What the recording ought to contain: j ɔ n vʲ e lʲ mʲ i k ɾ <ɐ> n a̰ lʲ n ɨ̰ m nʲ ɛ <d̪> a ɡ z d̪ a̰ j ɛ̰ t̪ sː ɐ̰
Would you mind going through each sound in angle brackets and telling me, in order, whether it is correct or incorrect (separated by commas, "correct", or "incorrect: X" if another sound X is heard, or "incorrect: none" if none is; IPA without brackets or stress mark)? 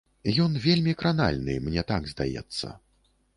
incorrect: a, incorrect: t̪